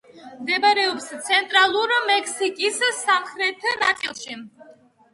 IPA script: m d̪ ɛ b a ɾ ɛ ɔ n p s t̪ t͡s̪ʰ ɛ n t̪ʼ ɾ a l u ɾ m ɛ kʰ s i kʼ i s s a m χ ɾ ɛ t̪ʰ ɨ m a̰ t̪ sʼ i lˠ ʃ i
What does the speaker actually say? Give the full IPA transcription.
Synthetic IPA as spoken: m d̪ ɛ b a ɾ ɛ ɔ p s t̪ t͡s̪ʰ ɛ n t̪ʼ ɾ a l u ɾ m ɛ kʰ s i kʼ i s s a m χ ɾ ɛ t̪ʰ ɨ n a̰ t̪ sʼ i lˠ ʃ i